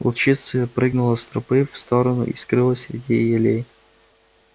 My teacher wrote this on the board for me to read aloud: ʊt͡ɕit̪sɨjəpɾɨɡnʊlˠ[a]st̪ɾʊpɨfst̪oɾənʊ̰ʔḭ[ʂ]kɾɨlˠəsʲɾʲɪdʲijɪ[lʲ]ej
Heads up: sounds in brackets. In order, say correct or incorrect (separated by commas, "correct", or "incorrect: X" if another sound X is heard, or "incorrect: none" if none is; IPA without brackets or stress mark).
incorrect: ə, incorrect: s, correct